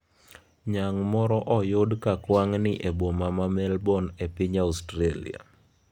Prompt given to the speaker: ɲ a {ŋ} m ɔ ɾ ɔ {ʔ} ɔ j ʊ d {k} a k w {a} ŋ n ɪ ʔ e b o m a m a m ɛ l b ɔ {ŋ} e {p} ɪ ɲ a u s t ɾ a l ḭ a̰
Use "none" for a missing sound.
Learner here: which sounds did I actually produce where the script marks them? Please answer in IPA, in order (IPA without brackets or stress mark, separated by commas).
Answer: ŋ, ʔ, k, a, n, p